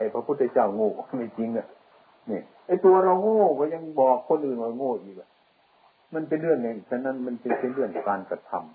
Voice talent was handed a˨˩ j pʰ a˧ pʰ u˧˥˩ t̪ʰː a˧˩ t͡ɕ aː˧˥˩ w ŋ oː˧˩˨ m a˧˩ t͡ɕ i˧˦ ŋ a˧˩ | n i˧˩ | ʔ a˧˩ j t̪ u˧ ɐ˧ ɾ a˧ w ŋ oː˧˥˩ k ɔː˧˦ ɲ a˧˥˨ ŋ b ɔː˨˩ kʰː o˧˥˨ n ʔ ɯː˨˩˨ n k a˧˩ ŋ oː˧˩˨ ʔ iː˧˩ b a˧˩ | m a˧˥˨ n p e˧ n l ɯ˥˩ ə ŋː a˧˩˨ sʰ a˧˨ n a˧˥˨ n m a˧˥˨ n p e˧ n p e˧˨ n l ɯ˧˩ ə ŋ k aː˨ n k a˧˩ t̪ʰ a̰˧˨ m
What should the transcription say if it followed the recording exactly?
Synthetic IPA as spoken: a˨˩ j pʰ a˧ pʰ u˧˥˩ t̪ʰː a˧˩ t͡ɕ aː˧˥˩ w ŋ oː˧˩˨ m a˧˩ t͡ɕ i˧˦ ŋ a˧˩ | n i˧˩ | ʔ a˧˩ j t̪ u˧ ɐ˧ ɾ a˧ w ŋ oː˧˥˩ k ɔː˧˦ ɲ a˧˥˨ ŋ b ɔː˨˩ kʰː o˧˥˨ n ʔ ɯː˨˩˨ n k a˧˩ ŋ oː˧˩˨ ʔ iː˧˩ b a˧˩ | m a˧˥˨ n p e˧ n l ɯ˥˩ ə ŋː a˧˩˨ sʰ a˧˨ n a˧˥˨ n m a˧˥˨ n p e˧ n p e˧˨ n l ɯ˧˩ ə ŋ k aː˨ n k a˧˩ t̪ʰ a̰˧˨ m